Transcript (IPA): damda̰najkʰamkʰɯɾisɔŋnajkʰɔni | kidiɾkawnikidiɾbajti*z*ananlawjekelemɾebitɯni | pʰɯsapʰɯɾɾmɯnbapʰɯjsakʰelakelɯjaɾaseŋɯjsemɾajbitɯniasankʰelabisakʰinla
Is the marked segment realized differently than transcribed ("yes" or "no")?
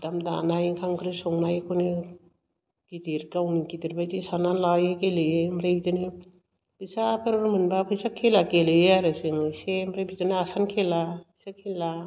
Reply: yes